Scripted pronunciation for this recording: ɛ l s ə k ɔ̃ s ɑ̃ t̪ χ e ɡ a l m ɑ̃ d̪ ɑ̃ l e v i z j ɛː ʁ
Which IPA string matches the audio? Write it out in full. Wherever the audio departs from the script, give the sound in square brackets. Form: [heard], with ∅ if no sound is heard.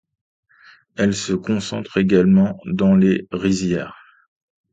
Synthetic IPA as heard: ɛ l s ə k ɔ̃ s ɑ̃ t̪ χ e ɡ a l m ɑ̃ d̪ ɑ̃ l e [ʁ] i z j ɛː ʁ